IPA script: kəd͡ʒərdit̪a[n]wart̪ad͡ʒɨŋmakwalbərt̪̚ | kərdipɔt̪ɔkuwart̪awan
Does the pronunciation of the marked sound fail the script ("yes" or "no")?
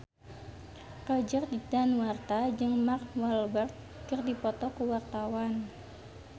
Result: no